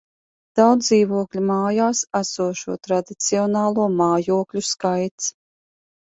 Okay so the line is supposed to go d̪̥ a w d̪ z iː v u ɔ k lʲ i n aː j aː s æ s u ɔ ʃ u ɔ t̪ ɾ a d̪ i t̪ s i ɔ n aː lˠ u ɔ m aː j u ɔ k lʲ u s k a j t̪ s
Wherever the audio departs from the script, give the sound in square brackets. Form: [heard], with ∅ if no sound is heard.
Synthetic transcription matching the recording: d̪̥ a w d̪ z iː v u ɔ k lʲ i [m] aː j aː s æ s u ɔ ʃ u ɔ t̪ ɾ a d̪ i t̪ s i ɔ n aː lˠ u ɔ m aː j u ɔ k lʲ u s k a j t̪ s